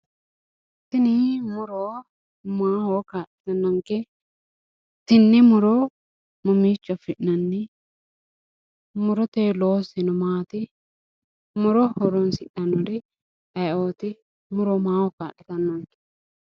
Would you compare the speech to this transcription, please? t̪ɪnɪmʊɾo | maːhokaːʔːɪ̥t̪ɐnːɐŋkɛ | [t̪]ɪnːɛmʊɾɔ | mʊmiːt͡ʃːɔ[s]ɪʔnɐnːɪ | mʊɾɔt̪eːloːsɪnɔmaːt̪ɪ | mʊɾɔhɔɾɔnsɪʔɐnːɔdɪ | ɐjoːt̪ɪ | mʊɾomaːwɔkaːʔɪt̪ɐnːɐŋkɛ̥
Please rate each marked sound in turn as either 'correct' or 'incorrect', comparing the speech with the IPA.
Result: correct, incorrect

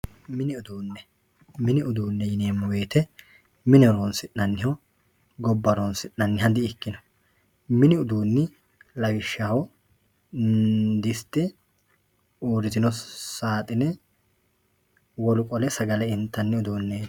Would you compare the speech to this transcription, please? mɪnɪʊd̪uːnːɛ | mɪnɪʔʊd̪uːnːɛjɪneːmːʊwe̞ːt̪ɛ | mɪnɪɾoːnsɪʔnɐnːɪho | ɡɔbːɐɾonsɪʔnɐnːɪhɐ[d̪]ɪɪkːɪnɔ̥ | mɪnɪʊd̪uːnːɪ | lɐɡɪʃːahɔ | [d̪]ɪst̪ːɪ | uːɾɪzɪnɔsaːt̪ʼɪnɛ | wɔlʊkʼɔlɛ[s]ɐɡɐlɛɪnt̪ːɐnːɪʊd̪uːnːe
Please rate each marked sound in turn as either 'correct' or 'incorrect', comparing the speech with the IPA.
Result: correct, correct, correct

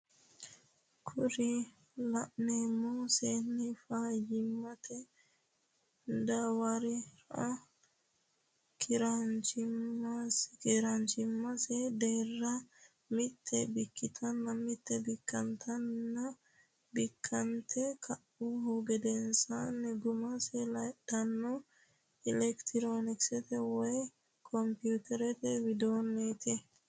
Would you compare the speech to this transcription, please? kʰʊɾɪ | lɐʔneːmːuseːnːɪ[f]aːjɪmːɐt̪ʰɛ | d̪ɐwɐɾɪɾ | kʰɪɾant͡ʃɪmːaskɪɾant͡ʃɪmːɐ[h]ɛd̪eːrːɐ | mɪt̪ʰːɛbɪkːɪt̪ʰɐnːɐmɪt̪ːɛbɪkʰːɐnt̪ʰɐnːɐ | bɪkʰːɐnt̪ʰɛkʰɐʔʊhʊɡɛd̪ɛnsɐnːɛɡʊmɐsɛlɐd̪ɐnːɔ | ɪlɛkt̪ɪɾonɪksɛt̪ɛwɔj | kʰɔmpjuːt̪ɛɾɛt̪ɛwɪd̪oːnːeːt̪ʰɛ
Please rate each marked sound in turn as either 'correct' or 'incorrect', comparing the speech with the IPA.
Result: correct, incorrect

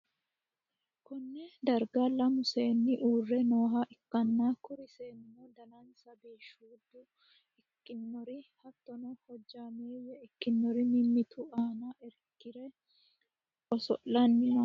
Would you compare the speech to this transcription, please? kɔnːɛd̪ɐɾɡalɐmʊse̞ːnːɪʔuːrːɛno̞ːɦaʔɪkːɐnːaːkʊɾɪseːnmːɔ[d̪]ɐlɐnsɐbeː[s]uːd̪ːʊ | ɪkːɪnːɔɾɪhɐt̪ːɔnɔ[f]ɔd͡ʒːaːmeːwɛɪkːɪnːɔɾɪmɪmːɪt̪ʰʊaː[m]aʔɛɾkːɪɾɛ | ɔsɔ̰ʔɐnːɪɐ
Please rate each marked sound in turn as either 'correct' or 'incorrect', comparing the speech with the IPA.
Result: correct, incorrect, incorrect, incorrect

